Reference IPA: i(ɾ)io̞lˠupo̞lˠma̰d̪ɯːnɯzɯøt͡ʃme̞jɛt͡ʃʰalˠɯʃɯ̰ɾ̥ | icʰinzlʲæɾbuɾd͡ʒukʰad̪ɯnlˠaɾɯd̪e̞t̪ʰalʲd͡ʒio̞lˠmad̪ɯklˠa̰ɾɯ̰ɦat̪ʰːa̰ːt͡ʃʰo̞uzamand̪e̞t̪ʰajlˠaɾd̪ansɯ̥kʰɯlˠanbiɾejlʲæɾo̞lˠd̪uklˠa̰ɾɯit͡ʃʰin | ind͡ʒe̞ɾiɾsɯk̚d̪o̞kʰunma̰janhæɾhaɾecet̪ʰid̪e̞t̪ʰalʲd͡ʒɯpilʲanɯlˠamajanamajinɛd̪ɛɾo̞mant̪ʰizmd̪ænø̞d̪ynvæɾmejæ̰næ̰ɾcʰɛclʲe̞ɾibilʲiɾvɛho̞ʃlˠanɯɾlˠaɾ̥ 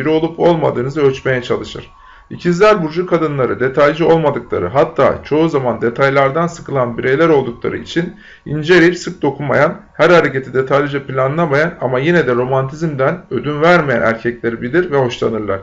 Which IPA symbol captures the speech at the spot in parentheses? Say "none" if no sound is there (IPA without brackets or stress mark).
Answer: ɾ